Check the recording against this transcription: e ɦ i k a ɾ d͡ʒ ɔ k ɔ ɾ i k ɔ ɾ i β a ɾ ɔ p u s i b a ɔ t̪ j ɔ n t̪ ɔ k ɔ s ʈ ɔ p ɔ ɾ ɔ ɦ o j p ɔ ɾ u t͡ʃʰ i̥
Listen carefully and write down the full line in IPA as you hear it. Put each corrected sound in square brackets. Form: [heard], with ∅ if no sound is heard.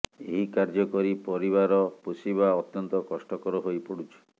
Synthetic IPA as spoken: e ɦ i k a ɾ d͡ʒ ɔ k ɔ ɾ i [p] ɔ ɾ i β a ɾ ɔ p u s i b a ɔ t̪ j ɔ n t̪ ɔ k ɔ s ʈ ɔ [k] ɔ ɾ ɔ ɦ o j p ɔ [ɽ] u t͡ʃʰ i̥